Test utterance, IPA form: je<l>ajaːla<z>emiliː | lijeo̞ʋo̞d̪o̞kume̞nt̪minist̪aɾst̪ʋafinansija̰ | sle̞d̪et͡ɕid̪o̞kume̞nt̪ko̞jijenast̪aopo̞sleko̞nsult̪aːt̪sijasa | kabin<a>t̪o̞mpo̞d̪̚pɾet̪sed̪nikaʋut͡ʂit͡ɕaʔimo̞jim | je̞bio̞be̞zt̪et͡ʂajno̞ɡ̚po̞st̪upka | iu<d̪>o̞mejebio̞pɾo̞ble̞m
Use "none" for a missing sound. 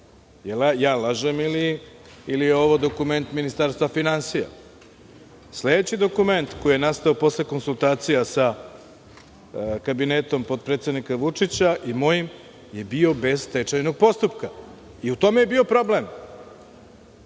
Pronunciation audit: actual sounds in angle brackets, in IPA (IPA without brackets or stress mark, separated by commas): l, ʒ, e, t̪